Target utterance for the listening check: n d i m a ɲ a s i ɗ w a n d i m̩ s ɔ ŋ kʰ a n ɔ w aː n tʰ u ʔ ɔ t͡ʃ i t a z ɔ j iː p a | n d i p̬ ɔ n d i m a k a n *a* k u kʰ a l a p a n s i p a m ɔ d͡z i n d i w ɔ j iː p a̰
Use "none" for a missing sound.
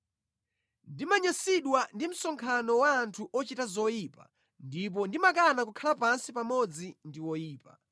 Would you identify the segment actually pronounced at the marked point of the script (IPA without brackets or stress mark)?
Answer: a